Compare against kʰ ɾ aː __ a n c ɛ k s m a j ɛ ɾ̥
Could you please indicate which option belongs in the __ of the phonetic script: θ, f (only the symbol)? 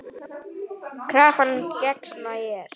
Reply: f